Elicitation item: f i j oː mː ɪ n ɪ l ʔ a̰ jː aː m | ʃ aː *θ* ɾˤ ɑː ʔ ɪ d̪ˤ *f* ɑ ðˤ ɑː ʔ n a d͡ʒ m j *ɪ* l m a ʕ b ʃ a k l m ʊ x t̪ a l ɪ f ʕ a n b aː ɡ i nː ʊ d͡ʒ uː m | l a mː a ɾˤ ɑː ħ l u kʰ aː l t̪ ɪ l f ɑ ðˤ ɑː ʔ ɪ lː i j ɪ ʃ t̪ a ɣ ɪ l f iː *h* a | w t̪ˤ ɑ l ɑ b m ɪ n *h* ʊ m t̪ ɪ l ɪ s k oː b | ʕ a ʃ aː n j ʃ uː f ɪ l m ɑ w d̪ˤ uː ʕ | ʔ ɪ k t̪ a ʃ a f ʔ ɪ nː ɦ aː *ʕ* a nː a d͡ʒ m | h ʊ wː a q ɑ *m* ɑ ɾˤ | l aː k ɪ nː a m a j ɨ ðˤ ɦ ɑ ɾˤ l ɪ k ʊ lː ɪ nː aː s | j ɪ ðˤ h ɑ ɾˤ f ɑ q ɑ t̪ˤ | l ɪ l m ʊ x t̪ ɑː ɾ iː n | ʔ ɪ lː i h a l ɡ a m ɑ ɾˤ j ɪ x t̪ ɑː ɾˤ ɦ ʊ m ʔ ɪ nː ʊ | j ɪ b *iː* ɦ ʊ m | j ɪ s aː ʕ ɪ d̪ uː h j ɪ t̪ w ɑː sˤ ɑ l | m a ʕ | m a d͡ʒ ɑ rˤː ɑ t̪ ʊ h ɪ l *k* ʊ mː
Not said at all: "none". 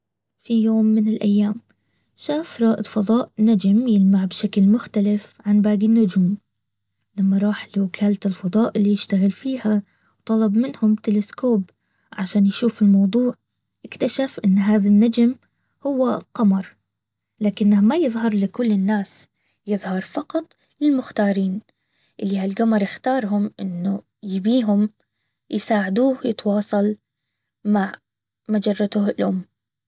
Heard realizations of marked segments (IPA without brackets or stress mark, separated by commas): f, f, ɪ, h, h, ð, m, iː, ʔ